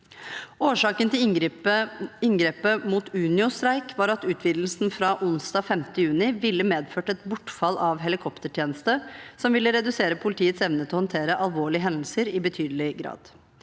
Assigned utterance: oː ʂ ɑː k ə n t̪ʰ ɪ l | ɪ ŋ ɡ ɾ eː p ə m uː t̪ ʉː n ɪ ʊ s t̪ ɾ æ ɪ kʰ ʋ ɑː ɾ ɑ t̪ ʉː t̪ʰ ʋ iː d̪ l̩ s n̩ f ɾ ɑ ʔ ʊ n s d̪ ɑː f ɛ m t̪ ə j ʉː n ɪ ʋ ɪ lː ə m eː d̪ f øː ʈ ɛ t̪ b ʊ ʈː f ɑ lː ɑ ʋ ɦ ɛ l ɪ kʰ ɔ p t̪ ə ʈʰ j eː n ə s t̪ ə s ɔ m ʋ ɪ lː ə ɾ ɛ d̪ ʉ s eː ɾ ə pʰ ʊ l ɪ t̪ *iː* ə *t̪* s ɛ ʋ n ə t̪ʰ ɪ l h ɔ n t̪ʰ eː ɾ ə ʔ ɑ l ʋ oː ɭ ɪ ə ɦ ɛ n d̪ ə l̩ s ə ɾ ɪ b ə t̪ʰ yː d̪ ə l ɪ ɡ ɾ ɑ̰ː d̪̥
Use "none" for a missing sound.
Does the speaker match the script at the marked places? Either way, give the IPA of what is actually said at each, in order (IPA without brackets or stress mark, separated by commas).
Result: iː, t̪